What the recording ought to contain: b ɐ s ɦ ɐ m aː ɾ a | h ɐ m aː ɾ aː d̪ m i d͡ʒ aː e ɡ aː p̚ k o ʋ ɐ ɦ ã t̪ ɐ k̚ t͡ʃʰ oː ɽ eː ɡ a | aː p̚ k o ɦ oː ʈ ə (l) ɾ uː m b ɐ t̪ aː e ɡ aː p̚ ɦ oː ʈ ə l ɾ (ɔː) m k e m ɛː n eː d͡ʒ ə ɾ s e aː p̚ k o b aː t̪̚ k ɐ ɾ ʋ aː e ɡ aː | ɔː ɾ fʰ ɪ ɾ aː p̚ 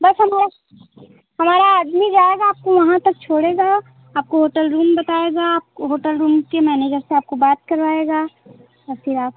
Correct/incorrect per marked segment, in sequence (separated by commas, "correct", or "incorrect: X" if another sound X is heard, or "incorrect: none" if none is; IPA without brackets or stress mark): correct, incorrect: uː